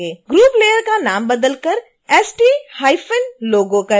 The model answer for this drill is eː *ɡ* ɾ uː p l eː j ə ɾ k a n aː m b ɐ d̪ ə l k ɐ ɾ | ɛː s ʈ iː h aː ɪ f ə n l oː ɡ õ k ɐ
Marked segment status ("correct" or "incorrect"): correct